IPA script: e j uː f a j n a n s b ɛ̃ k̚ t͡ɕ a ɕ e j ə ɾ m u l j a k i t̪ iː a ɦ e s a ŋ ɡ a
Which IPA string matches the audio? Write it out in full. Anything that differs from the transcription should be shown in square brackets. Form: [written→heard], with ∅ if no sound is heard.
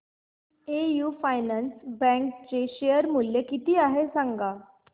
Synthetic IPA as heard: e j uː f a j n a n s b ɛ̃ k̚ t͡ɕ [a→e] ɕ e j ə ɾ m u l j [a→e] k i t̪ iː a ɦ e s a ŋ ɡ a

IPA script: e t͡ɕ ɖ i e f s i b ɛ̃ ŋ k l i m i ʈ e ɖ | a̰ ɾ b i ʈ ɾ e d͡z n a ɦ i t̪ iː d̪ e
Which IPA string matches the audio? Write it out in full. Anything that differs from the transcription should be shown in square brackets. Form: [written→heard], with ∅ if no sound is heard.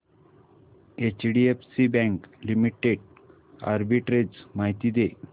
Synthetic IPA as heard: e t͡ɕ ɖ i e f s i b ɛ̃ ŋ k l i m i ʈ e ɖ | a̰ ɾ b i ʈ ɾ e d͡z [n→m] a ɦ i t̪ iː d̪ e

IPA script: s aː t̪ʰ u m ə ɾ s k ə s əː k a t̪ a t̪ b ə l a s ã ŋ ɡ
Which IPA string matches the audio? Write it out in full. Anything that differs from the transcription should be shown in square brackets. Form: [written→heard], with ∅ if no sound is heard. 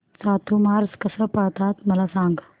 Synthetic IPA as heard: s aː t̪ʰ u m [ə→a] ɾ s k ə s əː [k→p] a t̪ a t̪ [b→m] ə l a s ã ŋ ɡ

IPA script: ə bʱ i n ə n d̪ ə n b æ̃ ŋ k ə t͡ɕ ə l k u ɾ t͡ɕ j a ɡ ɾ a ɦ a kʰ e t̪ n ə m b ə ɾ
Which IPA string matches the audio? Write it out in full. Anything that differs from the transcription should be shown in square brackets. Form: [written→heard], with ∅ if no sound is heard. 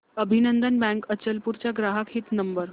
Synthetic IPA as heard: ə bʱ i n ə n d̪ ə n b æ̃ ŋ k ə t͡ɕ ə l [k→p] u ɾ t͡ɕ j a ɡ ɾ a ɦ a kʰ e t̪ n ə m b ə ɾ

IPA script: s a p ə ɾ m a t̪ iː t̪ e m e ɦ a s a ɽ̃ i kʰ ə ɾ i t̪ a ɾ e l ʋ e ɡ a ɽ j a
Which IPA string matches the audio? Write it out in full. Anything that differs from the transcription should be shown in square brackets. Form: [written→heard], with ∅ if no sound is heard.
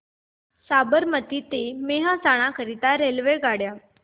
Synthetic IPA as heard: s a [p→b] ə ɾ m [a→ə] t̪ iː t̪ e m e ɦ a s a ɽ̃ [i→a] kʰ ə ɾ i t̪ a ɾ e l ʋ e ɡ a ɽ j a

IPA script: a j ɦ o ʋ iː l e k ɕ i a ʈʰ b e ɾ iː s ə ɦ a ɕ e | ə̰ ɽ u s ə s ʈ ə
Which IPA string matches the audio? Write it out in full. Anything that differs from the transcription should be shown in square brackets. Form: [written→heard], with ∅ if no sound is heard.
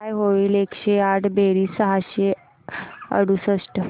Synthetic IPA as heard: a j ɦ o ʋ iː l e k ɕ [i→e] a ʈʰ b e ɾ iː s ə ɦ a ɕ e | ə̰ ɽ u s ə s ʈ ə

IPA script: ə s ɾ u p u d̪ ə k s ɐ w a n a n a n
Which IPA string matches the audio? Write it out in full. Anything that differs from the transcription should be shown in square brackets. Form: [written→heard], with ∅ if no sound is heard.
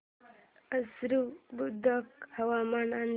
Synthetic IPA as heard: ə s ɾ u [p→b] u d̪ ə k [s→h] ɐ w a [n→m] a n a n

